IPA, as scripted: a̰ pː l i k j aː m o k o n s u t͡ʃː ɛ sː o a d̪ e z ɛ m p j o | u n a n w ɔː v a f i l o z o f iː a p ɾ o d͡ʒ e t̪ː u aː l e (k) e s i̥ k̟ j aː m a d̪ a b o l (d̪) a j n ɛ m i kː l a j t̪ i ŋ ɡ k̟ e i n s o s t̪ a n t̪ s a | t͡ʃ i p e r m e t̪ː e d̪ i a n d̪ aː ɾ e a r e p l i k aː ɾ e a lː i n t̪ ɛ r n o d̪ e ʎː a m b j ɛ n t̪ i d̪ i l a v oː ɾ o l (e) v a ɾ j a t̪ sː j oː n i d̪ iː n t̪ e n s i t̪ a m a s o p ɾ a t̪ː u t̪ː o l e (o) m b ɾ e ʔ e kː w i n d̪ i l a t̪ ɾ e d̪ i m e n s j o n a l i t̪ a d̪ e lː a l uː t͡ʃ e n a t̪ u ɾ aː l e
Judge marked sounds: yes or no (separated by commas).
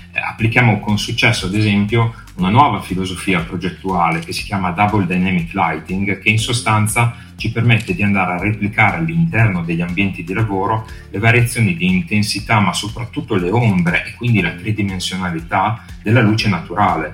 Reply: yes, yes, yes, yes